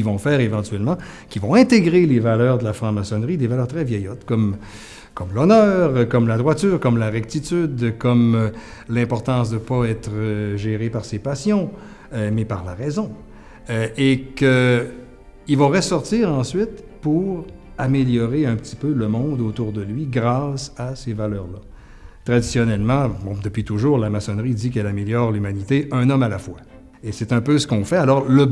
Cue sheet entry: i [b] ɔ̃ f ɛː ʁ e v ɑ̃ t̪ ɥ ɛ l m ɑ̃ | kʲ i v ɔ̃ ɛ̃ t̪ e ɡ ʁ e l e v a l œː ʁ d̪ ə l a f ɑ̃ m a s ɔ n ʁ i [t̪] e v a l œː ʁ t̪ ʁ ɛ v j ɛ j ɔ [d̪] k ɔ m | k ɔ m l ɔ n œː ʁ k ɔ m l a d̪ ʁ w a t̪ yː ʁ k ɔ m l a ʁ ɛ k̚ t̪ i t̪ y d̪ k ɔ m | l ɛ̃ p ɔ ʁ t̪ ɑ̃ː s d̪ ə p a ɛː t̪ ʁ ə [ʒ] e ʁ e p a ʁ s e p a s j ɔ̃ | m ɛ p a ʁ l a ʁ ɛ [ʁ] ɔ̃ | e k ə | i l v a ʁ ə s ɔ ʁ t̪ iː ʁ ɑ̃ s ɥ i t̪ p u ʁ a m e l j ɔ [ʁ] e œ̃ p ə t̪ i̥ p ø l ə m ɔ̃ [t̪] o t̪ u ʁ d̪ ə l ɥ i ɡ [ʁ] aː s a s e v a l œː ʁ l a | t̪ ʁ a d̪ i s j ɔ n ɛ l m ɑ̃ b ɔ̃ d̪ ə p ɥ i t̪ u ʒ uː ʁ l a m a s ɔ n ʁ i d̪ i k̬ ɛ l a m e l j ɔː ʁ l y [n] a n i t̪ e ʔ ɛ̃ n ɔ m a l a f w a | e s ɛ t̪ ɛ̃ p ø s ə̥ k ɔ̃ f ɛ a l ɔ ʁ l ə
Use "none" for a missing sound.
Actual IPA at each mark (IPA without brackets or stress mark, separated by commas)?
v, d̪, t̪, ʒ, z, ʁ, d̪, ʁ, m